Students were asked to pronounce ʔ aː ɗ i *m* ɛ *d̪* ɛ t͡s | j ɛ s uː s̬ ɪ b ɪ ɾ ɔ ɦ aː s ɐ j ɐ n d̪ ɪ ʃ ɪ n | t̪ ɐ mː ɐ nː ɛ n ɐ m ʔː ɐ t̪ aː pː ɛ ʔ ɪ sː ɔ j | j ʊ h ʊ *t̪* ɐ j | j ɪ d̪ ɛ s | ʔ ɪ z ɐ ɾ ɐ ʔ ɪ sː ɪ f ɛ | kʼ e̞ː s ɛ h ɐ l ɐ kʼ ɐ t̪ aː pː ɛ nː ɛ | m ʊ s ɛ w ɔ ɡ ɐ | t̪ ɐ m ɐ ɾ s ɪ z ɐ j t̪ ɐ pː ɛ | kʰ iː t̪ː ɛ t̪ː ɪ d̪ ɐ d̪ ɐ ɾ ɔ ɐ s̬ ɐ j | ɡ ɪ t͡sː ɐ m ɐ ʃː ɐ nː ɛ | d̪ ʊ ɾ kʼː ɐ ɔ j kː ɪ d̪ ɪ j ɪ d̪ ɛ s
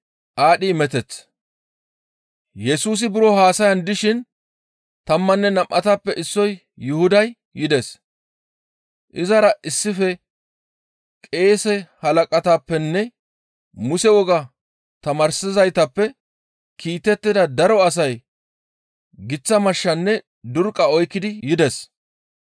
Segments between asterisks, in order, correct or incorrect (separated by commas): correct, incorrect, incorrect